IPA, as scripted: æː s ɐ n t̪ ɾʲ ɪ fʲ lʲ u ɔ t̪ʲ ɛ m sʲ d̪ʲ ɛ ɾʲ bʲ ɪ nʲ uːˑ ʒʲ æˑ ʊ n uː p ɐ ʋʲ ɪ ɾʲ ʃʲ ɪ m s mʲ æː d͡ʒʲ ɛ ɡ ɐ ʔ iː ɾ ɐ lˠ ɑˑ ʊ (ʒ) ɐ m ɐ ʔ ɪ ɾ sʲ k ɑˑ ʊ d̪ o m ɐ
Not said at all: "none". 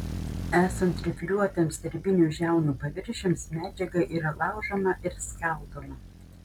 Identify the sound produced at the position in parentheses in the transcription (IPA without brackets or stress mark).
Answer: ʒ